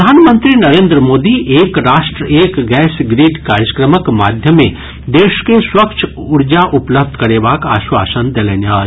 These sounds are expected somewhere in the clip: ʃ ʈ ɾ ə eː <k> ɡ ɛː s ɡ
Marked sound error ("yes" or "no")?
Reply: no